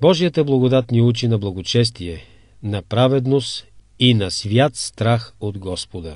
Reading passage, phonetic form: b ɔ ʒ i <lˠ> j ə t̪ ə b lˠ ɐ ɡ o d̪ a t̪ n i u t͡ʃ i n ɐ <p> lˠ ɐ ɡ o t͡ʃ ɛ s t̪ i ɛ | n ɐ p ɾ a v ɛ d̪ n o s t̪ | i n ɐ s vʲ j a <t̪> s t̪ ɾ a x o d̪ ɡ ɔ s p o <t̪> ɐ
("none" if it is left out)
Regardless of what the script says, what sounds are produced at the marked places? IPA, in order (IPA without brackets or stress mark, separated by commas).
none, b, t̪, d̪